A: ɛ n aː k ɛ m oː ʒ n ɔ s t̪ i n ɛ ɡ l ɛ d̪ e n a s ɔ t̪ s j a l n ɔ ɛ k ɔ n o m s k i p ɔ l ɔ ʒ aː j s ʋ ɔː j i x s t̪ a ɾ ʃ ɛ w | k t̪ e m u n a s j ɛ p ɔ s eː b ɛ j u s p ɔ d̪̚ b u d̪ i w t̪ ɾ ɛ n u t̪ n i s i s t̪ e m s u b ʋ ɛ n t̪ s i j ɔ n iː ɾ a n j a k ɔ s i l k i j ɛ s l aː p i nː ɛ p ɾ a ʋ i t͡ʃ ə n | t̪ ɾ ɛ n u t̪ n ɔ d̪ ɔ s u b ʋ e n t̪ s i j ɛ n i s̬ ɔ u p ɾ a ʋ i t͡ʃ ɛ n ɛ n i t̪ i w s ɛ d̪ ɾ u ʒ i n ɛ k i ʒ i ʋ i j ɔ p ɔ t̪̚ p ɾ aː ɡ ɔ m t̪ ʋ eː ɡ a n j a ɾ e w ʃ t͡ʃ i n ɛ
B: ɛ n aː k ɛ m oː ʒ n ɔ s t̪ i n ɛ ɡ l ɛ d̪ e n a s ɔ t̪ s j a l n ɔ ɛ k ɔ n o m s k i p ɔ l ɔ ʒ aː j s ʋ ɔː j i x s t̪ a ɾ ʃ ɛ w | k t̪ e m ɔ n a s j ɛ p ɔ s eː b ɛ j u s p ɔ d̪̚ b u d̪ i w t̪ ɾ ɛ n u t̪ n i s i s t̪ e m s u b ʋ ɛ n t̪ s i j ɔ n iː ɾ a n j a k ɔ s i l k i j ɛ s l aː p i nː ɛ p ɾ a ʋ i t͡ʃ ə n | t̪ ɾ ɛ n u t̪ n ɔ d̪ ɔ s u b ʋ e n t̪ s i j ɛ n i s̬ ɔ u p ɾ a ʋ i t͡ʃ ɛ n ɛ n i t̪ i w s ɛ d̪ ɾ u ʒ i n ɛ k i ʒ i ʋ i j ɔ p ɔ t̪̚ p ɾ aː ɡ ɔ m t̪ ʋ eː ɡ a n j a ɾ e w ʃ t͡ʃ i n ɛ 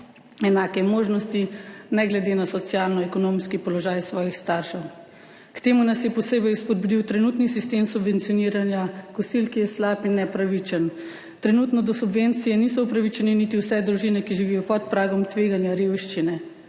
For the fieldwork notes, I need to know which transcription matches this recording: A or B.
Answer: A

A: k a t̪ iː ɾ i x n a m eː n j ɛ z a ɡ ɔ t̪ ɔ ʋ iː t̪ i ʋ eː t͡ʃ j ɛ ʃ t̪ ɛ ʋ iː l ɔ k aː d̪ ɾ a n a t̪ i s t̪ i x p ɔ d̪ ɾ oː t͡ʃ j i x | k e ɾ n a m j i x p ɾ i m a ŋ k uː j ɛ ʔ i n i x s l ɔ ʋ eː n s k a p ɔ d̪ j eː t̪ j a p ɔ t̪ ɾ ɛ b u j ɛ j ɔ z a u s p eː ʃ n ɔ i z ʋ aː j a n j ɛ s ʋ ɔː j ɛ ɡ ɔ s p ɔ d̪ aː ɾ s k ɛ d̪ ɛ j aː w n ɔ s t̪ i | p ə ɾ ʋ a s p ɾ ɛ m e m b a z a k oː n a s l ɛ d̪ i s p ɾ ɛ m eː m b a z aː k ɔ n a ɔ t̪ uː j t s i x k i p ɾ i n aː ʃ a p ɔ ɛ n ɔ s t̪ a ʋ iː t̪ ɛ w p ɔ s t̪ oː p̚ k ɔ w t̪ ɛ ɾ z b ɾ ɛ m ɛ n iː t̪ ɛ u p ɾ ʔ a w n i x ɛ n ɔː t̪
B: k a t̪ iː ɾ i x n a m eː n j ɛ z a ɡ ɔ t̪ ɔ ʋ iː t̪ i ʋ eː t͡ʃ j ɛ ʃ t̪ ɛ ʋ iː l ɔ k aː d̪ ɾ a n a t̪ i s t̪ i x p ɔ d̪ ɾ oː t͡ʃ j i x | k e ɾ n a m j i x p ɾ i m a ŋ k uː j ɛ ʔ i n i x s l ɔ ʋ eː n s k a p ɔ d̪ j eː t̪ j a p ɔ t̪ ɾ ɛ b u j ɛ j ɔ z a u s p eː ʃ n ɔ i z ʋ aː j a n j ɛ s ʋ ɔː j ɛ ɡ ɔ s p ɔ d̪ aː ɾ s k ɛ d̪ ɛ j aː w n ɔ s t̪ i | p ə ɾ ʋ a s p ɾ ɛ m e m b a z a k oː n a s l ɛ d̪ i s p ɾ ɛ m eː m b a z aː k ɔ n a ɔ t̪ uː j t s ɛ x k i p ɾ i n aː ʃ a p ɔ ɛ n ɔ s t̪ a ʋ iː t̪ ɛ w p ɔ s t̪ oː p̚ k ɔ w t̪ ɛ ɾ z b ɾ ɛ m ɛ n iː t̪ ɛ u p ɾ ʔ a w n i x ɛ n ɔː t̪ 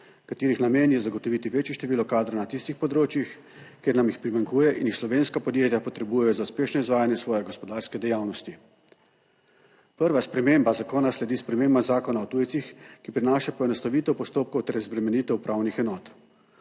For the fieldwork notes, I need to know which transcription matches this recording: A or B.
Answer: A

